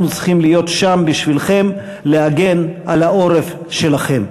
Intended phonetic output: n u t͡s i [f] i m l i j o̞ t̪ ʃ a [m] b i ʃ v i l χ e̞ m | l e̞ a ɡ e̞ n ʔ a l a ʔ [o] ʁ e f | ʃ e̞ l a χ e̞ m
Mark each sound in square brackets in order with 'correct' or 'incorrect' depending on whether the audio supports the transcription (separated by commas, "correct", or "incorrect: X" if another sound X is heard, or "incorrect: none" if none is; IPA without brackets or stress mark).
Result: incorrect: χ, correct, correct